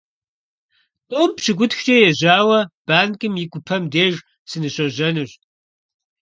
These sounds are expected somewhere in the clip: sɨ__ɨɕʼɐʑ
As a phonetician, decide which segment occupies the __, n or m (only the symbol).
n